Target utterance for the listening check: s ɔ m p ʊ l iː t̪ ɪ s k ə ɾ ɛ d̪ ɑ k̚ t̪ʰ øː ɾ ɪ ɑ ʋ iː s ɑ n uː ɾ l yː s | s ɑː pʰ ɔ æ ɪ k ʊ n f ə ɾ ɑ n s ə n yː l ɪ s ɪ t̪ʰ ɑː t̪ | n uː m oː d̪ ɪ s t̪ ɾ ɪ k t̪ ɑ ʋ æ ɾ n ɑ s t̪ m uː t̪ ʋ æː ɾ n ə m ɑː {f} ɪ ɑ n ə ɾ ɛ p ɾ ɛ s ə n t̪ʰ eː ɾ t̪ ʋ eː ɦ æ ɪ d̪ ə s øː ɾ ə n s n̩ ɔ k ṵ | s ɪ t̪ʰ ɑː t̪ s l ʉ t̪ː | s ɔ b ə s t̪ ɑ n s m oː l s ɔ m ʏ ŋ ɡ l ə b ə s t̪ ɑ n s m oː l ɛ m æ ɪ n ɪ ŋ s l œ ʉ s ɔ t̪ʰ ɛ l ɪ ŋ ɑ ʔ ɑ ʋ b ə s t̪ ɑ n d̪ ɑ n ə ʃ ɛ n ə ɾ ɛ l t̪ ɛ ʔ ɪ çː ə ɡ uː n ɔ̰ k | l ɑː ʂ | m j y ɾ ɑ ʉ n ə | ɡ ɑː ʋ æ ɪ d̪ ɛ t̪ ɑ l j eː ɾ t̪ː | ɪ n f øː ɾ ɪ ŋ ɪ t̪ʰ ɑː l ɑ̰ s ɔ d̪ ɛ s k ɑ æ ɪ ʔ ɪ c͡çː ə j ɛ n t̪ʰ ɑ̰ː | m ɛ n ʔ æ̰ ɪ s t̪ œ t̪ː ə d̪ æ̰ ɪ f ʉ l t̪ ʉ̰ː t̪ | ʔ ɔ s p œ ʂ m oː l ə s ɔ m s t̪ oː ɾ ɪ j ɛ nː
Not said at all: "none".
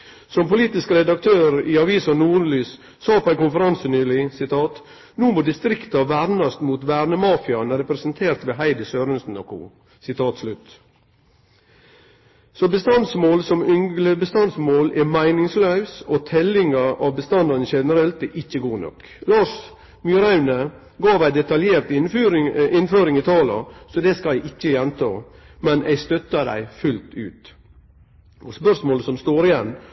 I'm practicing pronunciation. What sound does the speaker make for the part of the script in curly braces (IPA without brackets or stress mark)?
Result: f